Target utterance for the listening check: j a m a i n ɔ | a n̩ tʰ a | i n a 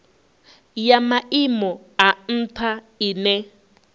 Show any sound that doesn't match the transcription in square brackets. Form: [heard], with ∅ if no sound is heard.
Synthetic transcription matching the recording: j a m a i [m] ɔ | a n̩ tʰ a | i n [ɛ]